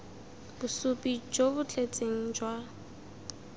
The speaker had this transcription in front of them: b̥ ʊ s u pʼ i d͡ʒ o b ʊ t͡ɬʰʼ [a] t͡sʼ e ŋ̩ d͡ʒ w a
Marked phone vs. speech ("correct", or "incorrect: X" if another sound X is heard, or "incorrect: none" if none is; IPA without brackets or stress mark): incorrect: e